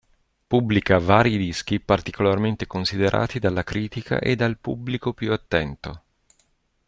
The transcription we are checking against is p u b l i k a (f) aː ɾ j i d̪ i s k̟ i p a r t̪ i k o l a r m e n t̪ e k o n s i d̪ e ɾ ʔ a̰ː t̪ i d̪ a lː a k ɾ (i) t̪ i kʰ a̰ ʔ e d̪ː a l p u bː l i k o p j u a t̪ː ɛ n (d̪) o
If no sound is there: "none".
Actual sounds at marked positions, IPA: v, iː, t̪

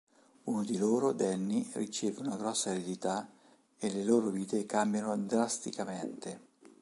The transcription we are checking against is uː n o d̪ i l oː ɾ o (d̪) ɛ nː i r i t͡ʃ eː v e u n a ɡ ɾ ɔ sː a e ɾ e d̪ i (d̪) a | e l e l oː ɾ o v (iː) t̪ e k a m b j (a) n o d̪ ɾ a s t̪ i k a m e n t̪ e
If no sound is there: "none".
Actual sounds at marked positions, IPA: d̪, t̪, iː, a

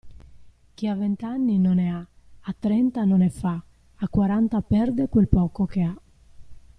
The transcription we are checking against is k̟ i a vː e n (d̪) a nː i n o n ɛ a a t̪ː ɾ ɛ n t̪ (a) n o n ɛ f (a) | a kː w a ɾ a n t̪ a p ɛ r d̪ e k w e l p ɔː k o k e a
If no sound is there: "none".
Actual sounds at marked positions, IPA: t̪, a, a

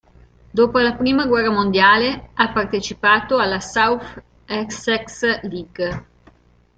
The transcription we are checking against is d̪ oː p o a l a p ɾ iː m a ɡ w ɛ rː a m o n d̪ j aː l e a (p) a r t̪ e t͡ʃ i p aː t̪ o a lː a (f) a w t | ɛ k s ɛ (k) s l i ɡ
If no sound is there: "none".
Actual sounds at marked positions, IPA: p, s, k

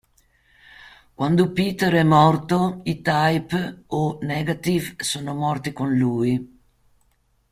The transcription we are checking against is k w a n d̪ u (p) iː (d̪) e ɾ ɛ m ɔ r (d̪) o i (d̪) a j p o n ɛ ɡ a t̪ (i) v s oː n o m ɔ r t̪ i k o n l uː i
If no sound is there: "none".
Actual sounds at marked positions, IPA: p, t̪, t̪, t̪, i

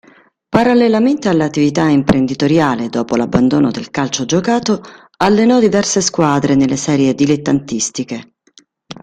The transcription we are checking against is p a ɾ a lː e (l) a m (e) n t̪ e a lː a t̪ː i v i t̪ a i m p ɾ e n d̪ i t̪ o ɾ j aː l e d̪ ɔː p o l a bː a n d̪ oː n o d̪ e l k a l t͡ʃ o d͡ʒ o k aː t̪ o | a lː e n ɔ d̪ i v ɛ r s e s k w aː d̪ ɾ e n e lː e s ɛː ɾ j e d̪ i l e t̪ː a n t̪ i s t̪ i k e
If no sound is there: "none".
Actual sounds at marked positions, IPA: l, e

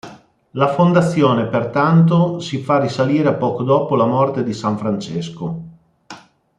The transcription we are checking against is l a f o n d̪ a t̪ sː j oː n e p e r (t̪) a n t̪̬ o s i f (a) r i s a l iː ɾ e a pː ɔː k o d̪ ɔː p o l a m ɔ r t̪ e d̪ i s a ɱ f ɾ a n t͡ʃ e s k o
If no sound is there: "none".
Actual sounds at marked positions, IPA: t̪, a

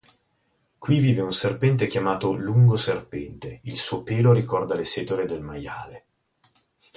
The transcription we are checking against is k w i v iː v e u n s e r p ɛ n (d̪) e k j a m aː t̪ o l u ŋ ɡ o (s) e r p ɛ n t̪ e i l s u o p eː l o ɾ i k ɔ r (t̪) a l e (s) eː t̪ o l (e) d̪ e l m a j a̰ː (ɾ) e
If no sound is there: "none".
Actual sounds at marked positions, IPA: t̪, s, d̪, s, e, l

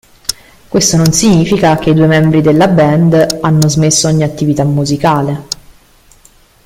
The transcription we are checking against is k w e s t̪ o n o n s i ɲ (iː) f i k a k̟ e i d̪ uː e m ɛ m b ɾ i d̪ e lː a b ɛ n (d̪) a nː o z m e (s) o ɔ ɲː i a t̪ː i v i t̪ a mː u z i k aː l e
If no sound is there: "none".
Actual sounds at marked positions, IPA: iː, d̪, sː

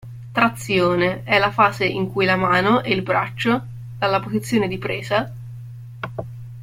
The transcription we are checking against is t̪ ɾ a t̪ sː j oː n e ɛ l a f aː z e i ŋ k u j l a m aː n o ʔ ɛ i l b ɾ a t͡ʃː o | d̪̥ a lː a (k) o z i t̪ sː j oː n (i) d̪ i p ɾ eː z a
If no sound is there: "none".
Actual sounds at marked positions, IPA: p, e

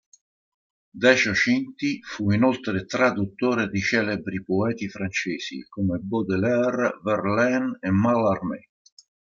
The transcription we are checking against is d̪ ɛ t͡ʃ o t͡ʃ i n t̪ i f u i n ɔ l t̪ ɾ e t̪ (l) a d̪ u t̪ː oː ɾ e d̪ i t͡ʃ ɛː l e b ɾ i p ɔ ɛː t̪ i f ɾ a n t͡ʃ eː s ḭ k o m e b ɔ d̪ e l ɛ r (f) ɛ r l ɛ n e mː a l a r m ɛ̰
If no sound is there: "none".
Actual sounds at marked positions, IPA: ɾ, v

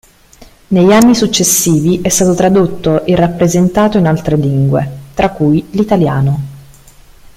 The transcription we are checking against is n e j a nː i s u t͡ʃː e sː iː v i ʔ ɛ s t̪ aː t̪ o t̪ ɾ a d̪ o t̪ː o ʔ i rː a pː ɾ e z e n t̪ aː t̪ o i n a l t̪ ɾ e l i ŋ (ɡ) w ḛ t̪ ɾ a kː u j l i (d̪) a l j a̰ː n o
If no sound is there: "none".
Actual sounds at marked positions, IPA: ɡ, t̪

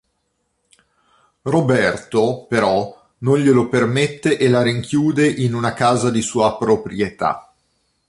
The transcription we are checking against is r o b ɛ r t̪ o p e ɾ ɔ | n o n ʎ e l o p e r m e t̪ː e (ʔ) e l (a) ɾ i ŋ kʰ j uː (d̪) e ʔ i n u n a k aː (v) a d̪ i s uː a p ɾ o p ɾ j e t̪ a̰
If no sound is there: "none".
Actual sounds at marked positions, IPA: ʔ, a, d̪, z

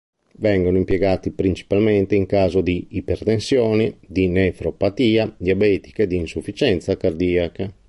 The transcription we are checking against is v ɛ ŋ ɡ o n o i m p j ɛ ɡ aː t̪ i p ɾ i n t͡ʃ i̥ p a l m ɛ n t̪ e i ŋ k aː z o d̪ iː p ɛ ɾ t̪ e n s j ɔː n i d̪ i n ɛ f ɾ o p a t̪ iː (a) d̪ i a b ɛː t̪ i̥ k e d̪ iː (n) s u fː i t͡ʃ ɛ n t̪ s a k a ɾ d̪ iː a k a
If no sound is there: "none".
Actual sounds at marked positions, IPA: a, n

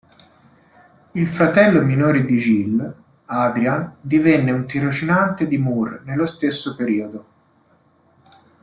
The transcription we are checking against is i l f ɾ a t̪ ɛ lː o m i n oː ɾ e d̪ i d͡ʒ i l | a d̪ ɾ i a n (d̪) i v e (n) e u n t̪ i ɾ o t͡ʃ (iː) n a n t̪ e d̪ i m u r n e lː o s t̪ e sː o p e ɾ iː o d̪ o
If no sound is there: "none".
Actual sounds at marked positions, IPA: d̪, nː, i

